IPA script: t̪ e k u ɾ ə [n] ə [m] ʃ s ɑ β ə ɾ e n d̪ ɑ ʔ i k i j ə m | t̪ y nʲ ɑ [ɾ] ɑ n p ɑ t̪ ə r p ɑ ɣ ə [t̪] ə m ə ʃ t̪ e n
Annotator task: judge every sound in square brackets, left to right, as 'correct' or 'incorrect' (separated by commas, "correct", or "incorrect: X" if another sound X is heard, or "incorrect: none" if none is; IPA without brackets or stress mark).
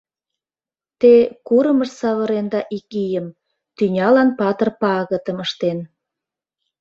incorrect: m, incorrect: none, incorrect: l, correct